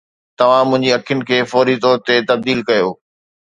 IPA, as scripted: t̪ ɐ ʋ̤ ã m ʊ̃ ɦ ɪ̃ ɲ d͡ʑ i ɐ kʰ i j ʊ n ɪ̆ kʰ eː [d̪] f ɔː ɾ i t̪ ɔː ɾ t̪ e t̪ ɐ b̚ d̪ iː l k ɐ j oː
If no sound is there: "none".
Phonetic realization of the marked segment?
none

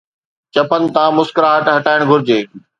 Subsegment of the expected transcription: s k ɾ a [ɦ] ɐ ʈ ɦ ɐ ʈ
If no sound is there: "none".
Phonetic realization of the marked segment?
ɦ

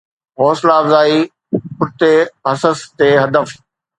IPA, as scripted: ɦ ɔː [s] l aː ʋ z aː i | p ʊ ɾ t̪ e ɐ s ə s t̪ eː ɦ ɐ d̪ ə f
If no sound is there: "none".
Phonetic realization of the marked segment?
s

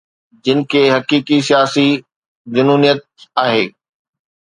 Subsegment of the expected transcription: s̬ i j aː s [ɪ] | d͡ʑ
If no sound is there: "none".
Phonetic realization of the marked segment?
i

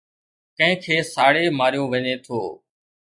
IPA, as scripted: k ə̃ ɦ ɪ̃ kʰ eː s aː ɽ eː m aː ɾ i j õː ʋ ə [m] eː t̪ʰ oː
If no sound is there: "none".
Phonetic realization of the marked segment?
ɲ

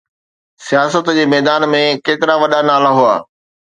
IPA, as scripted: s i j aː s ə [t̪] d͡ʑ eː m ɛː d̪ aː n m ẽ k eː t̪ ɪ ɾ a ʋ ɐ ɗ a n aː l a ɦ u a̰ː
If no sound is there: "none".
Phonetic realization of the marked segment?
t̪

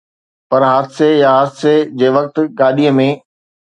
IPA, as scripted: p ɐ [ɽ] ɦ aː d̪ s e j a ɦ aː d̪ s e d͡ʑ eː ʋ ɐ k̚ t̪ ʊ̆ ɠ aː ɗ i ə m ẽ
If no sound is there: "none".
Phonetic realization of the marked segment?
ɾ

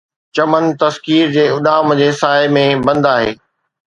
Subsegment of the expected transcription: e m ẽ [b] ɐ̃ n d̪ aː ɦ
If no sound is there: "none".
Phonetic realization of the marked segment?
b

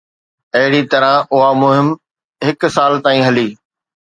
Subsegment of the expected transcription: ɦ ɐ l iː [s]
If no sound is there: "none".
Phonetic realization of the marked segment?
none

